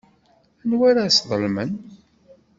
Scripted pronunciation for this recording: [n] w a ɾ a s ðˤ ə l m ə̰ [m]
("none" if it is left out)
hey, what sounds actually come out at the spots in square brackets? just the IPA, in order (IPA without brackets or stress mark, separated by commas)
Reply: n, n